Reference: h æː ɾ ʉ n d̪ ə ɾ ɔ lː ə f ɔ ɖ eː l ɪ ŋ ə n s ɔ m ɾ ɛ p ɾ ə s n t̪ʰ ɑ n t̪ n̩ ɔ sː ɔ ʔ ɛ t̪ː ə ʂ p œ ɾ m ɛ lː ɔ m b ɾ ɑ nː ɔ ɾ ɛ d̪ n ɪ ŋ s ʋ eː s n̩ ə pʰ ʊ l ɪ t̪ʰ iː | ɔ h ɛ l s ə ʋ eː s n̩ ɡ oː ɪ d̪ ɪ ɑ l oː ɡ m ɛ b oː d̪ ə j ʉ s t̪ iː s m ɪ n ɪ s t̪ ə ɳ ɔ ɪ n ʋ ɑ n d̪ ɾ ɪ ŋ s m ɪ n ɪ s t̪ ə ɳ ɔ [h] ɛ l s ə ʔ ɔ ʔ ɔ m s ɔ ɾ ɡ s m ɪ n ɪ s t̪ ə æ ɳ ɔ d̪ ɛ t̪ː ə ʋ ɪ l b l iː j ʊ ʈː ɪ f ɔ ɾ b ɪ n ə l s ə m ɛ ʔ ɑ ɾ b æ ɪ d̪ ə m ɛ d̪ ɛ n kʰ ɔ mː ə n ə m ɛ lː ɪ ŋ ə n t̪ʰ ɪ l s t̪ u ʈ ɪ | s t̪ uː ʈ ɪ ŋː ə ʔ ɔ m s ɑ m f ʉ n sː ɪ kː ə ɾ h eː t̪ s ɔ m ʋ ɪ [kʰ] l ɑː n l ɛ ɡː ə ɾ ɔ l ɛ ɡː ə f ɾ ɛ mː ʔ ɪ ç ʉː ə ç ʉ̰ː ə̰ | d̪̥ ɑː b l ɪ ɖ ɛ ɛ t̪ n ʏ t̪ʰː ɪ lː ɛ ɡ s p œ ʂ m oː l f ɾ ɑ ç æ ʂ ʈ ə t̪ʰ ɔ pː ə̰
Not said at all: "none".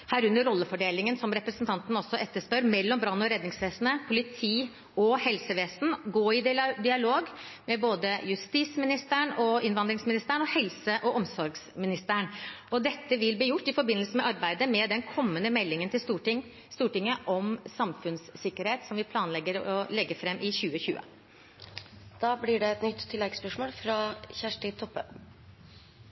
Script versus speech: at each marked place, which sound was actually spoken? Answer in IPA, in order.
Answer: h, pʰ

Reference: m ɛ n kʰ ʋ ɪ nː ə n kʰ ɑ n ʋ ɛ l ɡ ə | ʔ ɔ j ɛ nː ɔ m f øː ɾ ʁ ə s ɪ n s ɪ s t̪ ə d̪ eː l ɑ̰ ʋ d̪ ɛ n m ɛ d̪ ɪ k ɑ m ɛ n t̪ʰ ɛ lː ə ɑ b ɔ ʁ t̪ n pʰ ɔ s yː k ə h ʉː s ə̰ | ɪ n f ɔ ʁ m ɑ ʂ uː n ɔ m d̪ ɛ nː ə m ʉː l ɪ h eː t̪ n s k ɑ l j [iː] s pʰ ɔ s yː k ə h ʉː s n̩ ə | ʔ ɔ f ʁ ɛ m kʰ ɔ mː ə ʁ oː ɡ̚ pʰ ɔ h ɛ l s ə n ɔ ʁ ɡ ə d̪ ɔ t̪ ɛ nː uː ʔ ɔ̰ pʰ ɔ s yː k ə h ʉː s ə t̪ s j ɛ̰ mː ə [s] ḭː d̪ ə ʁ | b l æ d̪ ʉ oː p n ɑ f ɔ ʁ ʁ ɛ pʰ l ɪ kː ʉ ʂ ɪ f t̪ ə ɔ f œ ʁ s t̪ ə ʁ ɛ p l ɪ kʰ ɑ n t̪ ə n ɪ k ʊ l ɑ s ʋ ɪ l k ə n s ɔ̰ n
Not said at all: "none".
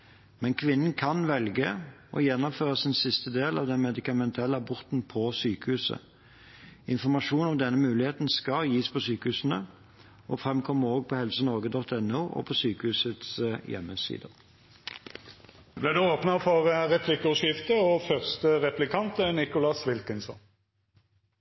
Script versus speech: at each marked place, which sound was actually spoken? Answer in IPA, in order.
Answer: iː, s

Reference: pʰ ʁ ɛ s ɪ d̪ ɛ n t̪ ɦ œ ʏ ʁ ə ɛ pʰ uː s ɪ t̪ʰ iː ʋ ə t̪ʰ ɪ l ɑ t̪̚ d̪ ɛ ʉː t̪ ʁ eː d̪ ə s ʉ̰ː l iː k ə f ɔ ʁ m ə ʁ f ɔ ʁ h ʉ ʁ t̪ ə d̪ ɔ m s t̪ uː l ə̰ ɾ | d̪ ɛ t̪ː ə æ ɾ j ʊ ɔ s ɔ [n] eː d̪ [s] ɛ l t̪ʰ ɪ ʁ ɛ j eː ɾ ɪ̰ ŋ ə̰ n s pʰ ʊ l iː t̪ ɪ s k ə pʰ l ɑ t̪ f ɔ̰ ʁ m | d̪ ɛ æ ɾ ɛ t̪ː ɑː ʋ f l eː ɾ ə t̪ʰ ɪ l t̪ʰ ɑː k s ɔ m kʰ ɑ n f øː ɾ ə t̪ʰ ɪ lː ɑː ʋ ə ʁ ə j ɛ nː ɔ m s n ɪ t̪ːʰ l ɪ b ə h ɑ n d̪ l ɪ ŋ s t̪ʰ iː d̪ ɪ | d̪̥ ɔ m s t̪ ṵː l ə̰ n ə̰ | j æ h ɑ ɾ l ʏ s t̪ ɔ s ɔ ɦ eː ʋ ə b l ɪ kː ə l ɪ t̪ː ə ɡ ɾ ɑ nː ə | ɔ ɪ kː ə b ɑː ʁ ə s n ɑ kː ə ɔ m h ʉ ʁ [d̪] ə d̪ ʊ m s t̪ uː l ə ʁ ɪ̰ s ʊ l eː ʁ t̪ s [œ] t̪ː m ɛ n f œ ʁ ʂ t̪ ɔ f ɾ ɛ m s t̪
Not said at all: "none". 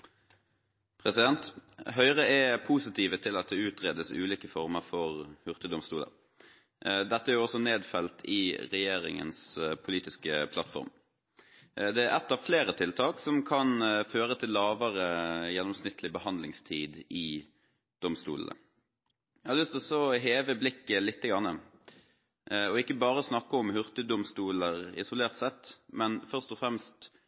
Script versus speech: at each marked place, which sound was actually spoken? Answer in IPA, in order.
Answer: n, f, t̪, ɛ

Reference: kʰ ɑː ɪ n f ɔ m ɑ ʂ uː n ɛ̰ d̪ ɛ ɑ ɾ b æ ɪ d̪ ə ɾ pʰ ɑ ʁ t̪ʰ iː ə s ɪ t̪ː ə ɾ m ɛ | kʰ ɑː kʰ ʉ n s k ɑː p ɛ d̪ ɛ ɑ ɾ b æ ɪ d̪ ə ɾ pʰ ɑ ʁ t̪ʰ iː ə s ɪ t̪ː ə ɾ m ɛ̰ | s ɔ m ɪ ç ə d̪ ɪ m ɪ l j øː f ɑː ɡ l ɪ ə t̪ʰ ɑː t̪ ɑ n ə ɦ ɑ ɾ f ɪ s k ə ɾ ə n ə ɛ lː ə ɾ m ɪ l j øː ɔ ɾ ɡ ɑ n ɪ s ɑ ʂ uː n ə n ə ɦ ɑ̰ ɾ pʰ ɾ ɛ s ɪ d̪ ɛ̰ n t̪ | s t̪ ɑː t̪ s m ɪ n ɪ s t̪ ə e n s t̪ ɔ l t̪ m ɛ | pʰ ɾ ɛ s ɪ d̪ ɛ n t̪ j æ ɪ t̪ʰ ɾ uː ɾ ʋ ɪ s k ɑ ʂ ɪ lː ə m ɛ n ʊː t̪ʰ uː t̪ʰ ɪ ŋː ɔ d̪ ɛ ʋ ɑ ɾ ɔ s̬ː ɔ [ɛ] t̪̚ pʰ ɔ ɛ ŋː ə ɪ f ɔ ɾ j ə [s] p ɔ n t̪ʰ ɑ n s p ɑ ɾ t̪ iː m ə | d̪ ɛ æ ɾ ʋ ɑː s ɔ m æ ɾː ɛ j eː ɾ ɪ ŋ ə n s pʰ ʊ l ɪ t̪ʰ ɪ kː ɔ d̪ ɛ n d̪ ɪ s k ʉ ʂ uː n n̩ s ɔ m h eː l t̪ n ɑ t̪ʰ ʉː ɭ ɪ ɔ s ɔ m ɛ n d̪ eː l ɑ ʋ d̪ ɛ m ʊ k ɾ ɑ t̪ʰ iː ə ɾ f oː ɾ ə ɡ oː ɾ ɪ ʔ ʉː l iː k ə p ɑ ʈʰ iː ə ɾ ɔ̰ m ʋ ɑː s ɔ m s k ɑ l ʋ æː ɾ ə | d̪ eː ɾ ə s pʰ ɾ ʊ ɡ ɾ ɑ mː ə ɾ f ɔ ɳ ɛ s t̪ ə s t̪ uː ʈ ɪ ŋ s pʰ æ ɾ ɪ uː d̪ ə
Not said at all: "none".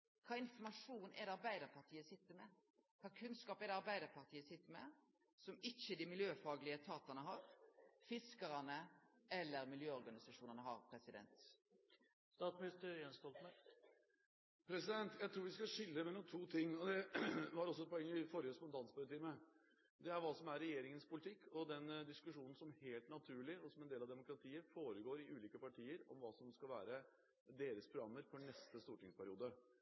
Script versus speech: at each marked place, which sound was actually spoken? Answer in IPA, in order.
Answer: ɛ, s

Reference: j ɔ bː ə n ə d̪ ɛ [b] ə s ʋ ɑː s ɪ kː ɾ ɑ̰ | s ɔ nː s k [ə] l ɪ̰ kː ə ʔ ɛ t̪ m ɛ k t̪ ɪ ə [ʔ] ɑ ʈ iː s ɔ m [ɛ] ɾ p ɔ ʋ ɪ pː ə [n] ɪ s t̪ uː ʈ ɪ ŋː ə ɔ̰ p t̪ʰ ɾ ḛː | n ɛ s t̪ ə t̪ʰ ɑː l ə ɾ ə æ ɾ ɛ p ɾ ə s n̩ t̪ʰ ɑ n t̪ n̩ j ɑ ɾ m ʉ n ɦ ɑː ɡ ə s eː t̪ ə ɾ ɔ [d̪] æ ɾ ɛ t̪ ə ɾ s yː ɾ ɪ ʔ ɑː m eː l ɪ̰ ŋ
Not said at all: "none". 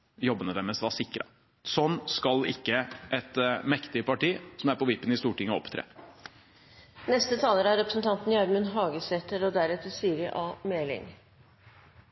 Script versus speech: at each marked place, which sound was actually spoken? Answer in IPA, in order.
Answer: m, ɑ, p, æ, n, d̪

